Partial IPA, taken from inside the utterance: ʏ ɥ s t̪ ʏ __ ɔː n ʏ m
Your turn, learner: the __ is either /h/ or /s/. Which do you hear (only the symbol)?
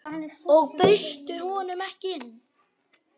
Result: h